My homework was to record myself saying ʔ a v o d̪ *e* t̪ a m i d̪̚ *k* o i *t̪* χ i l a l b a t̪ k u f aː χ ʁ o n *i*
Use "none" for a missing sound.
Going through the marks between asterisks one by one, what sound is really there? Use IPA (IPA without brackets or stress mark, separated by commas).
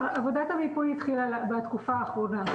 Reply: a, p, t̪, a